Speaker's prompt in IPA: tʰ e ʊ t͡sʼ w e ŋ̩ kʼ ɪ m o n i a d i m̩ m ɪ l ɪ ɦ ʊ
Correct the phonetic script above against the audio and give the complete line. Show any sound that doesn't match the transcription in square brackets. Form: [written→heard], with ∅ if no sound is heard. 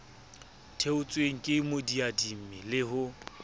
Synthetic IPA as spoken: tʰ e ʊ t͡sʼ w e ŋ̩ kʼ ɪ m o [n→d] i a d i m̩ m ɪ l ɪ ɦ ʊ